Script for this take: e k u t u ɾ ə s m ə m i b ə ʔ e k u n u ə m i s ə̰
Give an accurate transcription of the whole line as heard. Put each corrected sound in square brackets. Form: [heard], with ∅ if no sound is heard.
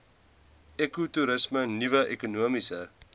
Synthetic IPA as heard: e k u t u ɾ ə s m ə [n] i [v] ə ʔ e k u n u ə m i s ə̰

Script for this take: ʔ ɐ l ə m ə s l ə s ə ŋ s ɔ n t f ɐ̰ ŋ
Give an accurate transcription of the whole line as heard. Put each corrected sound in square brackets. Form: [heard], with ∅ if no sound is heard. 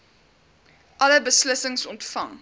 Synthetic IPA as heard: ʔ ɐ l ə [b] ə s l ə s ə ŋ s ɔ n t f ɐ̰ ŋ

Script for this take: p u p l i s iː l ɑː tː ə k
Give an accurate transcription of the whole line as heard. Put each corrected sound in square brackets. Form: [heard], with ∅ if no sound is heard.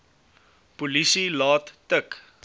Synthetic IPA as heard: p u [∅] l i s [i] l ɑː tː ə k

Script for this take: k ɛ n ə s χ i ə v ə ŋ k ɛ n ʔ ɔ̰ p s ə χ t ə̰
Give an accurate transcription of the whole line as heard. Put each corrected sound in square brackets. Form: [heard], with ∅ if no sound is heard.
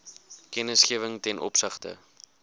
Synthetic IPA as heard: k ɛ n ə s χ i ə v ə ŋ [t] ɛ n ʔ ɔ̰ p s ə χ t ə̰

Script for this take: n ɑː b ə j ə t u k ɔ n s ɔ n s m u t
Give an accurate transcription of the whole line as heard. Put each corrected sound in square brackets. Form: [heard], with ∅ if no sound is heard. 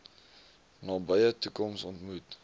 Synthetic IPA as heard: n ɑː b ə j ə t u k ɔ [m] s ɔ n [t] m u t

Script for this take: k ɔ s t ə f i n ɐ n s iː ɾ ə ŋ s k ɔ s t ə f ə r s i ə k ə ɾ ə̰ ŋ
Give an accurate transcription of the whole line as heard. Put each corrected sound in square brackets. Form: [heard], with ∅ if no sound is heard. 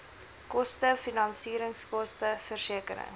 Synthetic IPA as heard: k ɔ s t ə f i n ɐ n s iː ɾ ə ŋ s k ɔ s t ə f ə r s i ə k ə ɾ ə̰ ŋ

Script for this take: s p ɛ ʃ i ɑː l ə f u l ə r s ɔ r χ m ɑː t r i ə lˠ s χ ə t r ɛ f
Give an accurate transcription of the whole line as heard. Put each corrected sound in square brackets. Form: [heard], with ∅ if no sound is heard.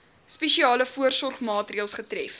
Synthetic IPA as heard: s p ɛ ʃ i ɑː l ə f u [∅] ə r s ɔ r χ m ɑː t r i ə lˠ s χ ə t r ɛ f

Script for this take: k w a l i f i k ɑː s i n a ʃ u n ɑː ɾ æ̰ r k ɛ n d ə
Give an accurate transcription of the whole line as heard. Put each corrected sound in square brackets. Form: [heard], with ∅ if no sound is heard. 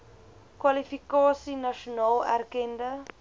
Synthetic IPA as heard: k w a l i f i k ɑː s i n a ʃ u n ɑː [l] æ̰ r k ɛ n d ə

